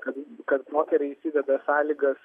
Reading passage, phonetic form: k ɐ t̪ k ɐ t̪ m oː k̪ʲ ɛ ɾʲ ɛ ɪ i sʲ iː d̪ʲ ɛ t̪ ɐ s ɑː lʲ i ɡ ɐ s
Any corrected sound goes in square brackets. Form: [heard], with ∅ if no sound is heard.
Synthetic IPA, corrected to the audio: k ɐ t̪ k ɐ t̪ m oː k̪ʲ ɛ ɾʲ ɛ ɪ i sʲ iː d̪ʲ ɛ [d̪] ɐ s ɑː lʲ i ɡ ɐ s